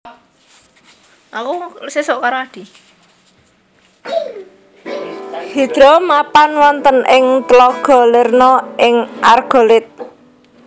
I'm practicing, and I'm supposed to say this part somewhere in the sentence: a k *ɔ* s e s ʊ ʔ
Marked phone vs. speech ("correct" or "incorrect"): incorrect